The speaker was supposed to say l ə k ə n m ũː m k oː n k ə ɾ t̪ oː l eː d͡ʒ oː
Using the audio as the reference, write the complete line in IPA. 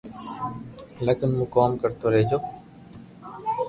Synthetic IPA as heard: l ə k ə n m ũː k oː m k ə ɾ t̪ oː ɾ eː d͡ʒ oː